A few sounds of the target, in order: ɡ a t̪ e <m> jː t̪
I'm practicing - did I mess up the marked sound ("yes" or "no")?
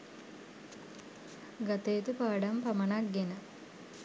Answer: yes